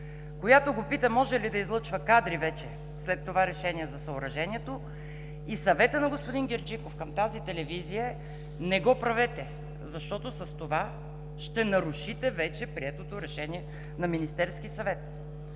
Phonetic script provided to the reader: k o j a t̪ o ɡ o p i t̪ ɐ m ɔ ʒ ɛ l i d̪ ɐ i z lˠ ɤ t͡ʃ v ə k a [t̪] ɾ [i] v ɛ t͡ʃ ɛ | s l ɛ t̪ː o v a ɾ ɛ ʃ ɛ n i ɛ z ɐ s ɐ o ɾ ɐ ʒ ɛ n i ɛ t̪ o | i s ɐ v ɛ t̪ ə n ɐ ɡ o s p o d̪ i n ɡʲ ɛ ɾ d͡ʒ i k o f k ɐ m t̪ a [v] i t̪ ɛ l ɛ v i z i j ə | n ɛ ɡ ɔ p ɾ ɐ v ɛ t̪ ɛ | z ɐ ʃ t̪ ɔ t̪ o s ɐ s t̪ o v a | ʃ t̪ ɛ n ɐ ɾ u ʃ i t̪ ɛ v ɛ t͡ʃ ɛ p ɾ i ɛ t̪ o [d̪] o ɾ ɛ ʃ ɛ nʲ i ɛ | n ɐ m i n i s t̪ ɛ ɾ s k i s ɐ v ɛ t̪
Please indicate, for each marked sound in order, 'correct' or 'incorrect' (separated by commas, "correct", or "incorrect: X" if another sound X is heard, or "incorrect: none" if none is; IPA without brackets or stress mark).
incorrect: d̪, correct, incorrect: z, incorrect: t̪